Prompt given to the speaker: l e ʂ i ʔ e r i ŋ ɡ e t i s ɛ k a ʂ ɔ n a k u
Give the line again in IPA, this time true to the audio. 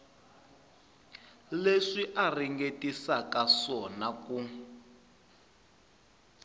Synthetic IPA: l e ʂ i ʔ a r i ŋ ɡ e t i s a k a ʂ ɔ n a k u